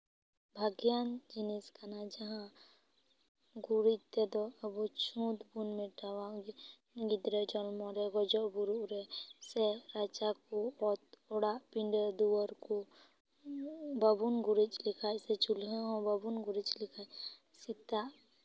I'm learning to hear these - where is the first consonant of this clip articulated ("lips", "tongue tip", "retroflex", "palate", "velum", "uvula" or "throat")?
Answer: lips